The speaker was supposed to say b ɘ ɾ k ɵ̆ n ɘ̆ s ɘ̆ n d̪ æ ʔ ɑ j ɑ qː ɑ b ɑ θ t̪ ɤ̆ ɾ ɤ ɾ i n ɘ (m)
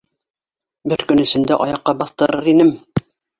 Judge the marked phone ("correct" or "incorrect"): correct